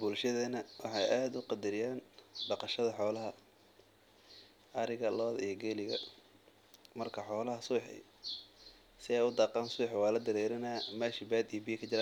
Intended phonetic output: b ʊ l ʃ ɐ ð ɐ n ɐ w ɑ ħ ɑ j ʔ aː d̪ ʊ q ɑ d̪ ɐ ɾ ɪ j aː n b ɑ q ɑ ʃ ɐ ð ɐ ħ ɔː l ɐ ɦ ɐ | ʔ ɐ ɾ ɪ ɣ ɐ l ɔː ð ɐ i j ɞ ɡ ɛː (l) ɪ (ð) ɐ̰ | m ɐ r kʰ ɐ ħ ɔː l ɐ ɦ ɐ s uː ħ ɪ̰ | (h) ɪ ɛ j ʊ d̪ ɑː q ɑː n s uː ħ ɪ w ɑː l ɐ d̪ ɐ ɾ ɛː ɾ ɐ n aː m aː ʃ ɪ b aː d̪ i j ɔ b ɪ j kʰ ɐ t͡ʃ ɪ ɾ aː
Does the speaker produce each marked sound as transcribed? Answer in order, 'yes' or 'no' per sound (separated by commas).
yes, no, no